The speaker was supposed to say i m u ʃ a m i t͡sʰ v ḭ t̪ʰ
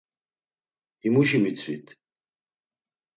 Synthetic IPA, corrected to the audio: i m u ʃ i m i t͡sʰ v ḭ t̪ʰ